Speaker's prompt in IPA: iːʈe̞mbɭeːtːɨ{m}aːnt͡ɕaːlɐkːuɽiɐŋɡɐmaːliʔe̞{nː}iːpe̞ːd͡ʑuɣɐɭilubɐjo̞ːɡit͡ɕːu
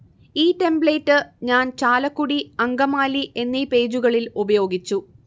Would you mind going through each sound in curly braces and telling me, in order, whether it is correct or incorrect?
incorrect, correct

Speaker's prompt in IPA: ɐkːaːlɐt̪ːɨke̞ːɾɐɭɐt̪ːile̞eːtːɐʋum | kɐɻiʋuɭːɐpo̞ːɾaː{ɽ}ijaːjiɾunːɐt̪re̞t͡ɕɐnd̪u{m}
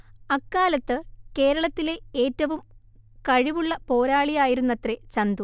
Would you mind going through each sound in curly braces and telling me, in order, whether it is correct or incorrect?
incorrect, incorrect

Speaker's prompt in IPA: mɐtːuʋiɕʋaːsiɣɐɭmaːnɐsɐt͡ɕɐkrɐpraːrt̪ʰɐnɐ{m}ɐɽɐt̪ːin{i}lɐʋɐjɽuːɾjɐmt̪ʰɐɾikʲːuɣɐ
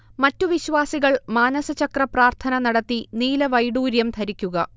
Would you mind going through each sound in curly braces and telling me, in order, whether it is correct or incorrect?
incorrect, incorrect

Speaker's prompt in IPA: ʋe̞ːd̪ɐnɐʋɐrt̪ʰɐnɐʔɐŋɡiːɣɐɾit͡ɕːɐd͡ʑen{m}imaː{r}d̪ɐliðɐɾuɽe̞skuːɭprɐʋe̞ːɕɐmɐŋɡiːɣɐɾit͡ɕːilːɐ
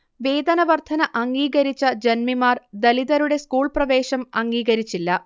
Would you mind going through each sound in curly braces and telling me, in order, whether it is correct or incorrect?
correct, correct

